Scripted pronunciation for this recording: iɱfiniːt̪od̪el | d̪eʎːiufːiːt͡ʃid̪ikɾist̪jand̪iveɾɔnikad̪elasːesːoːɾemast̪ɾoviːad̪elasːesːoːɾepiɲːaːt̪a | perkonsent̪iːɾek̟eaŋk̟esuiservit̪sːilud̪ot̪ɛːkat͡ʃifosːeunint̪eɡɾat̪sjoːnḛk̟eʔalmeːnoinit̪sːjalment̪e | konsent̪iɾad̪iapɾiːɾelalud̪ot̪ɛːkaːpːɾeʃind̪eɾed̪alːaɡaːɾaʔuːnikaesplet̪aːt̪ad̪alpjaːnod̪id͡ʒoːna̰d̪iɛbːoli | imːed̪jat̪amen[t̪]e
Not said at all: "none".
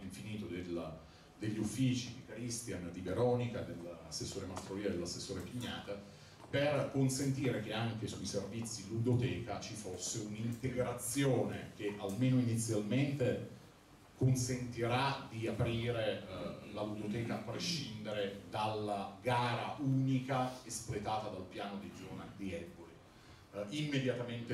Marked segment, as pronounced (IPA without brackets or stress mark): t̪